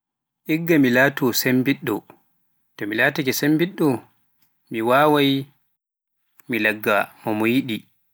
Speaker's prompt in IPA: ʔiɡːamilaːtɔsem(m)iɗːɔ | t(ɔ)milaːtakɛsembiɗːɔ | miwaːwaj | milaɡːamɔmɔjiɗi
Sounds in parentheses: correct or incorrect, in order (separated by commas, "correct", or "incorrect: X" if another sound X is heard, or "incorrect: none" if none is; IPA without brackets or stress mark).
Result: incorrect: b, correct